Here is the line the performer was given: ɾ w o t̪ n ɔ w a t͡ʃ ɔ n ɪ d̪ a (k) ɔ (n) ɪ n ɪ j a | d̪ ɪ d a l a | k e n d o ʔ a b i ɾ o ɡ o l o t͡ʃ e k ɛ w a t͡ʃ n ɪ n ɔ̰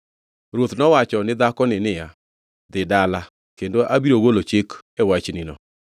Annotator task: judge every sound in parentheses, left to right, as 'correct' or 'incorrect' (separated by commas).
correct, correct